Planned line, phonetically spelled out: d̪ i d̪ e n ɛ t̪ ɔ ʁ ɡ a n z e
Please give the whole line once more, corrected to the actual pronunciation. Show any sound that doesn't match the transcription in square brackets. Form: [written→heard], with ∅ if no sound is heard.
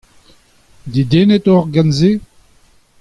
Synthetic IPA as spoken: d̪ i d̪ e n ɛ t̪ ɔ ʁ ɡ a n z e